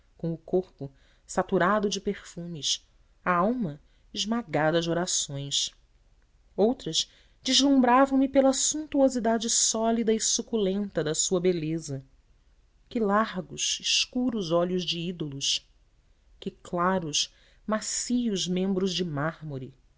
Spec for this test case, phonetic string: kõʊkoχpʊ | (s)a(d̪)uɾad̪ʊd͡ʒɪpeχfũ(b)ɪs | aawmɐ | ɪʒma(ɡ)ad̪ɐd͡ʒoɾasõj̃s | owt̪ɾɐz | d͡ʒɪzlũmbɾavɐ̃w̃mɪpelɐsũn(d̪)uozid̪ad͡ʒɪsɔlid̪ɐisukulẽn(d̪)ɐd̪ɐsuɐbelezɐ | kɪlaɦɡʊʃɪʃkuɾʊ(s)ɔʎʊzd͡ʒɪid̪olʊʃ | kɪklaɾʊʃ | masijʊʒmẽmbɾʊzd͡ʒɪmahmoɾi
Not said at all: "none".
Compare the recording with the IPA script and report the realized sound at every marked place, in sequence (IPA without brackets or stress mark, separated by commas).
s, t̪, m, ɡ, t̪, t̪, z